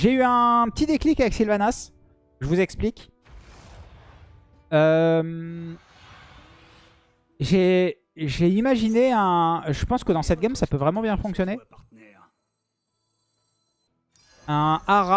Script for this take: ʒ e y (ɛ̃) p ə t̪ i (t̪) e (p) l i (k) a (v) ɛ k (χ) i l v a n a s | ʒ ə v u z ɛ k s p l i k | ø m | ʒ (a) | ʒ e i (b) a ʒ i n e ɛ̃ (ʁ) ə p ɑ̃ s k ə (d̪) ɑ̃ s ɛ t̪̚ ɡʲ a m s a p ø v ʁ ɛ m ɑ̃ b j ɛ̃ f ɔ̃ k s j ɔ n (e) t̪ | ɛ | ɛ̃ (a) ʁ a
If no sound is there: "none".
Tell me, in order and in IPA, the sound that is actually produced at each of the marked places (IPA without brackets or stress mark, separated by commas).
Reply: ɛ̃, d̪, k, k, v, s, e, m, ʒ, d̪, e, a